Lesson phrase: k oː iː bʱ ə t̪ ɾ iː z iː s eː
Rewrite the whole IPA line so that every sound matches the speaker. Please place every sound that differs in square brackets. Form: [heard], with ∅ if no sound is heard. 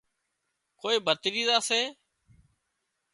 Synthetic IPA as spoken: k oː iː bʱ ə t̪ ɾ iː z [aː] s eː